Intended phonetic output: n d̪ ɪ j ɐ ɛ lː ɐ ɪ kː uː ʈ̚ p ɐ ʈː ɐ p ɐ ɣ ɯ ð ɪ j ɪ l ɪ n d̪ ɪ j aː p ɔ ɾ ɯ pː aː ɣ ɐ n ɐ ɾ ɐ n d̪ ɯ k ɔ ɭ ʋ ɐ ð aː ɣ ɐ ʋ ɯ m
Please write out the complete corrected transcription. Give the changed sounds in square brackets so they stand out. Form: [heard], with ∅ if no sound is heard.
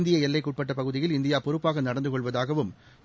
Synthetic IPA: n d̪ ɪ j ɐ ɛ lː ɐ ɪ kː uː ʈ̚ p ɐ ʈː ɐ p ɐ ɣ ɯ ð ɪ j ɪ l ɪ n d̪ ɪ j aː p ɔ ɾ ɯ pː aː ɣ ɐ n ɐ [ɽ] ɐ n d̪ ɯ k ɔ ɭ ʋ ɐ ð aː ɣ ɐ ʋ ɯ m